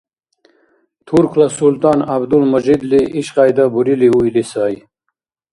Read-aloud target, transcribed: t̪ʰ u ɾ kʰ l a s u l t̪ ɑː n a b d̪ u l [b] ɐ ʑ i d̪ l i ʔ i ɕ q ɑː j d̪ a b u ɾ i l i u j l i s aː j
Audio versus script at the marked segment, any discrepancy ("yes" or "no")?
yes